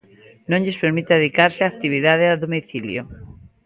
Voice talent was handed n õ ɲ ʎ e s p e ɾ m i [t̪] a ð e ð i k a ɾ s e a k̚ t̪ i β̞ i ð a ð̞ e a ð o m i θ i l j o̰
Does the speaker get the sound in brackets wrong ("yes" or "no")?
no